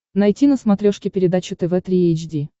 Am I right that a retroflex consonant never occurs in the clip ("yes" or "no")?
no